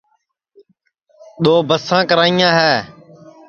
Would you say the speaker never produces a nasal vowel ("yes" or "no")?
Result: no